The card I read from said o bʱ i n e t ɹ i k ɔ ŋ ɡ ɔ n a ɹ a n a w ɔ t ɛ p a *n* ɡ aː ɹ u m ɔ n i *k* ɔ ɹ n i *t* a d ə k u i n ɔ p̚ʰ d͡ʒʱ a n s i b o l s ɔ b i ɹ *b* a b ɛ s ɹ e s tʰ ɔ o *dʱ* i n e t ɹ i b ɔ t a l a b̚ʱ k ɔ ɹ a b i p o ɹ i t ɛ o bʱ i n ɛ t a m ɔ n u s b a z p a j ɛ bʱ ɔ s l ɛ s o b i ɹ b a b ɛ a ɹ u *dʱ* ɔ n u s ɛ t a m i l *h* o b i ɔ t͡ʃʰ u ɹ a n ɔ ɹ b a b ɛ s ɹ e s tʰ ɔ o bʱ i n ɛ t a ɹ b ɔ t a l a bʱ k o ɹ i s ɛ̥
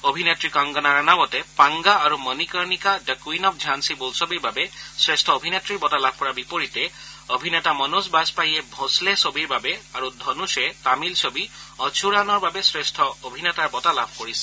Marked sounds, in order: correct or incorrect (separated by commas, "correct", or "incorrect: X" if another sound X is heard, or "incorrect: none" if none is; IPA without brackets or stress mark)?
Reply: incorrect: ŋ, correct, incorrect: k, correct, incorrect: bʱ, correct, incorrect: s